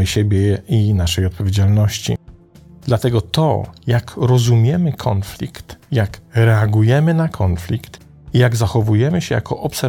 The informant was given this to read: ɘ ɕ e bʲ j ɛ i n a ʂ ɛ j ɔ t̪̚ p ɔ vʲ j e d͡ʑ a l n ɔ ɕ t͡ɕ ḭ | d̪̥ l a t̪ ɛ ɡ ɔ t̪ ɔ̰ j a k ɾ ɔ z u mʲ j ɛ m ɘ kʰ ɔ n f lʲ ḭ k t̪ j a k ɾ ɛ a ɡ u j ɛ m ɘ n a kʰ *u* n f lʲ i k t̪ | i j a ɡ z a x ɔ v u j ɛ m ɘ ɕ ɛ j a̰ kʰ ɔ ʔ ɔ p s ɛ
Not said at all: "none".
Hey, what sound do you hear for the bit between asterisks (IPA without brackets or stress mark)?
ɔ